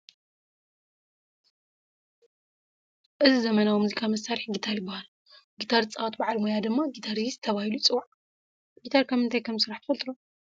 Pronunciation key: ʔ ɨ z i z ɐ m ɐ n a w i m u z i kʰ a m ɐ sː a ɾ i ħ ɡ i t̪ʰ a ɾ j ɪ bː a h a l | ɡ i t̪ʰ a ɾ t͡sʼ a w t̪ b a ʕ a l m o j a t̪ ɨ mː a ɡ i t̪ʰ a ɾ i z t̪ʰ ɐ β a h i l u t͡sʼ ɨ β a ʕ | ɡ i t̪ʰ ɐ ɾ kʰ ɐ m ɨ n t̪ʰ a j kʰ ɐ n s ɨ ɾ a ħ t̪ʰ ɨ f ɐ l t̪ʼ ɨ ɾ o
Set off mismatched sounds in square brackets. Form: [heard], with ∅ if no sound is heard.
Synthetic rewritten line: ʔ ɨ z i z ɐ m ɐ n a w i m u z i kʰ a m ɐ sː a ɾ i ħ ɡ i t̪ʰ a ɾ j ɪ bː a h a l | ɡ i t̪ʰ a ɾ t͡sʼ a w t̪ b a ʕ a l m o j a [d̪] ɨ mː a ɡ i t̪ʰ a ɾ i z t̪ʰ ɐ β a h i l u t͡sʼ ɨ [w] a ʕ | ɡ i t̪ʰ [a] ɾ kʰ ɐ m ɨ n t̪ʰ a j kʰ ɐ [m] s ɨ ɾ a ħ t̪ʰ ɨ f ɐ l t̪ʼ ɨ ɾ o